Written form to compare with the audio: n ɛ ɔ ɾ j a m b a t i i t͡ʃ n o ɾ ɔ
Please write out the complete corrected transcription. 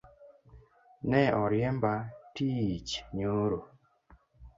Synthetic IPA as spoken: n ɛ ɔ ɾ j ɛ m b a t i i t͡ʃ ɲ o ɾ o